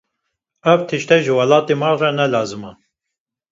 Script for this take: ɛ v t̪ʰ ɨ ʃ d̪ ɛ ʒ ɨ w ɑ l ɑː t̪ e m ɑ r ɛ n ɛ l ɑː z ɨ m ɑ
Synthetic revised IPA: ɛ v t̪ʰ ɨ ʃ t̪ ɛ ʒ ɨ w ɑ l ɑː t̪ e m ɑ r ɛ n ɛ l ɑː z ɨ m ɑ